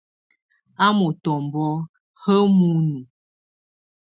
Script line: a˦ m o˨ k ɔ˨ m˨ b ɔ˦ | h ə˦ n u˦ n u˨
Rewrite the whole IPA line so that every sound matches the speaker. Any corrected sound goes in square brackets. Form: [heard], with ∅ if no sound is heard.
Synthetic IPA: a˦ m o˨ [t] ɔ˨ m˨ b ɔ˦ | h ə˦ [m] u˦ n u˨